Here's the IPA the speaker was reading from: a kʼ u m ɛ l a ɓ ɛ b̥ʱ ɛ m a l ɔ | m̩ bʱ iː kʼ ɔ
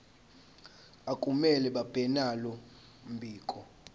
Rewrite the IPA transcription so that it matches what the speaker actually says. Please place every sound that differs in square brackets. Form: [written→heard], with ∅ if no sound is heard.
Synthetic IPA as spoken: a kʼ u m ɛ l [a→ɛ] ɓ [ɛ→a] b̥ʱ ɛ [m→n] a l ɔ | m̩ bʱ iː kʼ ɔ